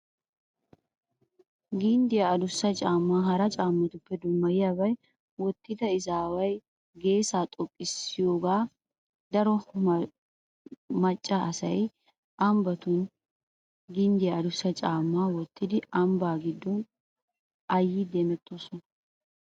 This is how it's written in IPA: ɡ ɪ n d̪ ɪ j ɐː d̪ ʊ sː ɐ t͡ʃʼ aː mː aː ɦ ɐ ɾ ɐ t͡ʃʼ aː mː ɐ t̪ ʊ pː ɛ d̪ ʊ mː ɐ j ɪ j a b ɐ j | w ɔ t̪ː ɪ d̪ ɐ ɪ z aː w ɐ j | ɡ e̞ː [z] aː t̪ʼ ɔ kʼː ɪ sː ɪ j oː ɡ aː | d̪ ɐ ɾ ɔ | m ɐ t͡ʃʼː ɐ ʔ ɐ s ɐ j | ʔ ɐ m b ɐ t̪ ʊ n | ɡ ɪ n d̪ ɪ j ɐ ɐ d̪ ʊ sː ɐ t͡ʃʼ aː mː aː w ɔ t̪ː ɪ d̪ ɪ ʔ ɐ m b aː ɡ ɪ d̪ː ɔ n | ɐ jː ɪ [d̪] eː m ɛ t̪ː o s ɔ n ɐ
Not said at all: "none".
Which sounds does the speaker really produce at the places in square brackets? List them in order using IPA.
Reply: s, d̪

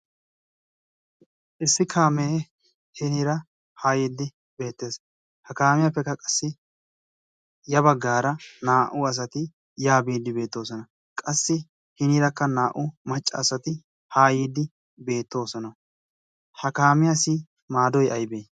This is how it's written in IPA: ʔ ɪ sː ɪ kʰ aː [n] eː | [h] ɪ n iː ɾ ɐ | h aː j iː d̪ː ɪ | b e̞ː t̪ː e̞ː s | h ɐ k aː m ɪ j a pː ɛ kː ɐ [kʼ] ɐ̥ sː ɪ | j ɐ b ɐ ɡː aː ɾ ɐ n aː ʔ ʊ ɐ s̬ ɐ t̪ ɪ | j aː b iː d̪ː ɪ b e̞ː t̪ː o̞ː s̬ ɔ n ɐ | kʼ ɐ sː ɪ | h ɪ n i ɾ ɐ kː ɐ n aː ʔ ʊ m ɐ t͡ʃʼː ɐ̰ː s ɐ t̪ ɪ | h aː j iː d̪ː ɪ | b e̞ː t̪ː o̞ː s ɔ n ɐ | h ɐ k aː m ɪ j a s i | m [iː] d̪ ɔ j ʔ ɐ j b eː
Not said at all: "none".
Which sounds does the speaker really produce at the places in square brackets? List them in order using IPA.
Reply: m, h, kʼ, aː

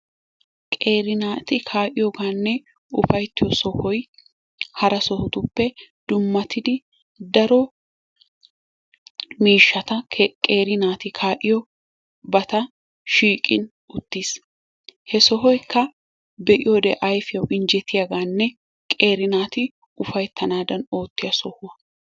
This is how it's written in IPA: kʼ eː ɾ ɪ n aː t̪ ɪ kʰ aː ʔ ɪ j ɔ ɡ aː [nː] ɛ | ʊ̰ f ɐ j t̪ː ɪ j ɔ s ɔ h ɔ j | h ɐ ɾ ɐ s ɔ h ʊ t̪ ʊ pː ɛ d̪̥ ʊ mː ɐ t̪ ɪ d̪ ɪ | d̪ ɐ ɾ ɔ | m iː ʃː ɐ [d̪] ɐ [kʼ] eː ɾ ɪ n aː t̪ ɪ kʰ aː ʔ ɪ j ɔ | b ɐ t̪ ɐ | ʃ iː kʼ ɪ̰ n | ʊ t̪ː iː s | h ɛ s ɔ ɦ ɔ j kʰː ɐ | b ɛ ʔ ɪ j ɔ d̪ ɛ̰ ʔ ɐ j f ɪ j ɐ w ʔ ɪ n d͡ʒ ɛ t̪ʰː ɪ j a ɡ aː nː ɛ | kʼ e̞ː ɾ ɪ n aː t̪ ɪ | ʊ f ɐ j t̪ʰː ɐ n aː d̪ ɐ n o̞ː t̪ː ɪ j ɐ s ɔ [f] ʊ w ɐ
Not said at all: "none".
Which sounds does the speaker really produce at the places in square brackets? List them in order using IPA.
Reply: nː, t̪, kʼ, h

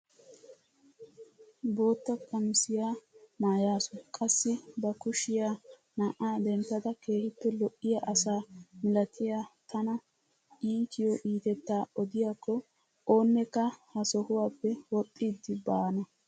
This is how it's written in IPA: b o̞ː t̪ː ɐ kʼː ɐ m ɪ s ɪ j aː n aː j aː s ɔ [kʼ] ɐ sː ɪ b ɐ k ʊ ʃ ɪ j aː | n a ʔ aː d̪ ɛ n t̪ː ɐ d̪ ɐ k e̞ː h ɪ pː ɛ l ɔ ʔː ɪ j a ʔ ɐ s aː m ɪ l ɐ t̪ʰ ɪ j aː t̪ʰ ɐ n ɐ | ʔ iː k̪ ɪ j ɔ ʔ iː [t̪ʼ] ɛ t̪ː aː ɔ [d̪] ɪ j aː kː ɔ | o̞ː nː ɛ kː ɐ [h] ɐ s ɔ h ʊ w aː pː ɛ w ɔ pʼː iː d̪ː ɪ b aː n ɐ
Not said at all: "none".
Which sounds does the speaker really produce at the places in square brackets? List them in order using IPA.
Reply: kʼ, t̪, d̪, h

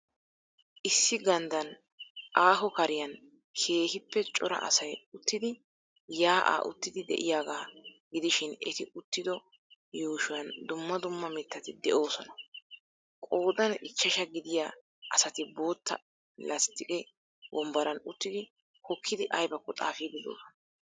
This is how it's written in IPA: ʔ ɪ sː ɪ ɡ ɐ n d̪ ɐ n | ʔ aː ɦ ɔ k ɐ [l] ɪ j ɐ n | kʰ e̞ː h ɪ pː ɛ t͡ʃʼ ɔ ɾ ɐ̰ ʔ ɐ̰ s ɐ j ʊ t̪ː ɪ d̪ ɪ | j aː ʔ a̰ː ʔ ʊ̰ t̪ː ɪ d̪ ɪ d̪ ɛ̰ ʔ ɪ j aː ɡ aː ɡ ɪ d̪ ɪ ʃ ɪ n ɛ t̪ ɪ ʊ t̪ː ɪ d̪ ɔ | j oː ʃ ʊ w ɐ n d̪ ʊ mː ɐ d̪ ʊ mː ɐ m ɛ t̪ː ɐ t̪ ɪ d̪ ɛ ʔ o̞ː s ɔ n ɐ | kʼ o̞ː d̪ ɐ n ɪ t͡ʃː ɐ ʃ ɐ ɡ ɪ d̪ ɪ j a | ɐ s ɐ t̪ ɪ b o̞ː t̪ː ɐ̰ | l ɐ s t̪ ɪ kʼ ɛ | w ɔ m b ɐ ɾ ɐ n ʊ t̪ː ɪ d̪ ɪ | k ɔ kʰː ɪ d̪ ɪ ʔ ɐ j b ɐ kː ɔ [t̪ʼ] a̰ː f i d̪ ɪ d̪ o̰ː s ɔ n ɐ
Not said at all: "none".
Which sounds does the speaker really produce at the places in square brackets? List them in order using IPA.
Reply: ɾ, t̪ʼ

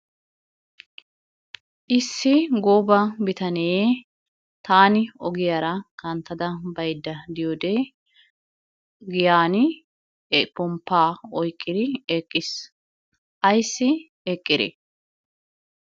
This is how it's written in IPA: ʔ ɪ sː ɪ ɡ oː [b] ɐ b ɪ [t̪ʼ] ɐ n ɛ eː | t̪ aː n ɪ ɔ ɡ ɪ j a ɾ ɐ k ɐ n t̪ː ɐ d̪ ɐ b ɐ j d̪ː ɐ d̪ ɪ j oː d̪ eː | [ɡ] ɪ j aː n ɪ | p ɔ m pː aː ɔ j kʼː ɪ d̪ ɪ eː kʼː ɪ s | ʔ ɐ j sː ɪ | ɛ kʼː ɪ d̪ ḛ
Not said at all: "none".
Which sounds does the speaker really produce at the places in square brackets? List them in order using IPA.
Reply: b, t̪, ɡ

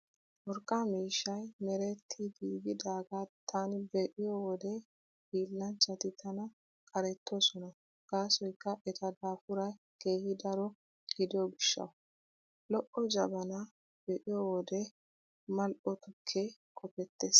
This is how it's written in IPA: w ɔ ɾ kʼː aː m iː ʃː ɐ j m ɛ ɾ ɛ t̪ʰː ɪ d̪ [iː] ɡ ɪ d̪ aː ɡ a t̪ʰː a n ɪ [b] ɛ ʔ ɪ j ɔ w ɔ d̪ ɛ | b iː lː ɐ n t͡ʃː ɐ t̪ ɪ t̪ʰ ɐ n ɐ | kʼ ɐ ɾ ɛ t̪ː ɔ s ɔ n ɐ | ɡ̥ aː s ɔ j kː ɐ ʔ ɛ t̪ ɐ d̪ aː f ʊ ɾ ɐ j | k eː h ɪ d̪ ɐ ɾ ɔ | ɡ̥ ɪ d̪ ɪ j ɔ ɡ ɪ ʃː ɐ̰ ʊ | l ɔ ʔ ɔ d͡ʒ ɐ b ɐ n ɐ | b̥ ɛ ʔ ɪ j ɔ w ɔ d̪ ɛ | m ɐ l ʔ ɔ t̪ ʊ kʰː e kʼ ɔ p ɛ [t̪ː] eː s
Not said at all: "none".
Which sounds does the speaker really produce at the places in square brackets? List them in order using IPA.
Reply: iː, b, t̪ː

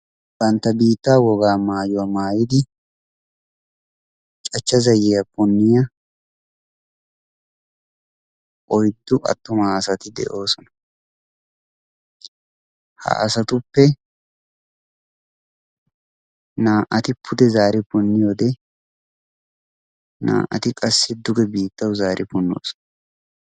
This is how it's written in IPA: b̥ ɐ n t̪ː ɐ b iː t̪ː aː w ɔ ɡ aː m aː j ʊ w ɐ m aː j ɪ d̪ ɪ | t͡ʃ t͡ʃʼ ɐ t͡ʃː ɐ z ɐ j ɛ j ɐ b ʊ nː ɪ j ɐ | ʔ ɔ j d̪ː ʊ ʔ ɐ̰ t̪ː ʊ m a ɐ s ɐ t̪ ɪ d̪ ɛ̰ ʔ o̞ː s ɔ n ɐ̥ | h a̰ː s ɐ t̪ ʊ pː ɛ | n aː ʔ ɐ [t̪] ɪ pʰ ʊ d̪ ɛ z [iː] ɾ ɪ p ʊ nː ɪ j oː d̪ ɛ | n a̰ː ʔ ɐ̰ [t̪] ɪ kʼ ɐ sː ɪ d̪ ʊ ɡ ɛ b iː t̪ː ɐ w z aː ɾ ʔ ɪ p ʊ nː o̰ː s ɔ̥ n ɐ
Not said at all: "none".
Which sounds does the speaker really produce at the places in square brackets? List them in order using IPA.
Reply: t̪, aː, t̪

